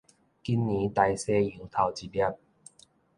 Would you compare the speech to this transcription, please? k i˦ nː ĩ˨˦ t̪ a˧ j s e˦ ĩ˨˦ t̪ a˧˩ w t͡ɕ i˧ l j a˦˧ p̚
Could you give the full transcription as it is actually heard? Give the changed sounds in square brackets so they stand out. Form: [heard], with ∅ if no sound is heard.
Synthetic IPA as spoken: k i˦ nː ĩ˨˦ t̪ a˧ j s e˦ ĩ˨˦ [t̪ʰ] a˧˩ w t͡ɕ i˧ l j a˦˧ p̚